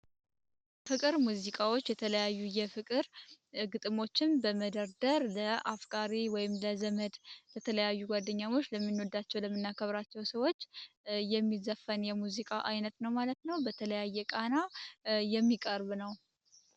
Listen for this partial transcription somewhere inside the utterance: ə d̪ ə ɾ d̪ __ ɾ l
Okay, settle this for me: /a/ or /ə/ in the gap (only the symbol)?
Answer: ə